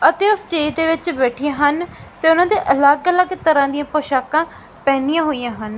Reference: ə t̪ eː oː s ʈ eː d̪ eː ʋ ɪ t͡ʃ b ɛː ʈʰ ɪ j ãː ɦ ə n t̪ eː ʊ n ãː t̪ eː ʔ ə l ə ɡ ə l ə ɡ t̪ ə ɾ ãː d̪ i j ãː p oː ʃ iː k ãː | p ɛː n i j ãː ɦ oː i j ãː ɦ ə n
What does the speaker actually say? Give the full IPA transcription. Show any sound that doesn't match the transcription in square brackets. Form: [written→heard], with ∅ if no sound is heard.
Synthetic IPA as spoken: ə t̪ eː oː s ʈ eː d̪ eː ʋ ɪ t͡ʃ b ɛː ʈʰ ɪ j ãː ɦ ə n t̪ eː ʊ n ãː [t̪→d̪] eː ʔ ə l ə ɡ ə l ə ɡ t̪ ə ɾ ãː d̪ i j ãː p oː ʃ [iː→aː] k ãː | p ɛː n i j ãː ɦ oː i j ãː ɦ ə n